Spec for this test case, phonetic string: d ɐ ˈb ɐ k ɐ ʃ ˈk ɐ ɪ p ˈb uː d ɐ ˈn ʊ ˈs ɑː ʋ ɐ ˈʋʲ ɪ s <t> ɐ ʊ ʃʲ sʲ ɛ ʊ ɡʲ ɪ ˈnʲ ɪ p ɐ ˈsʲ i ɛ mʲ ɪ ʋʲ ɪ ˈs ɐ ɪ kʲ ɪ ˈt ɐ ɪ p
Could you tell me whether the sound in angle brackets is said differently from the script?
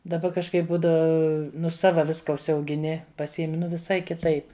yes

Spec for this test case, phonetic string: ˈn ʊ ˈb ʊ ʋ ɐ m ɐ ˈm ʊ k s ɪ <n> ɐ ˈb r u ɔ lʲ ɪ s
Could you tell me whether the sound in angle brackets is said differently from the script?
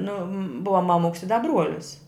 yes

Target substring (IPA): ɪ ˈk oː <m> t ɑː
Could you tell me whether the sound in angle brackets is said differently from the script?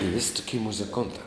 yes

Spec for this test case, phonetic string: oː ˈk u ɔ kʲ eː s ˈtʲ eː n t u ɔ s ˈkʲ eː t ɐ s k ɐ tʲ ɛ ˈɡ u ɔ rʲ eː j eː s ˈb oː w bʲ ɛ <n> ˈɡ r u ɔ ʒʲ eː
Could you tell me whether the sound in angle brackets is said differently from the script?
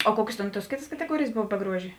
yes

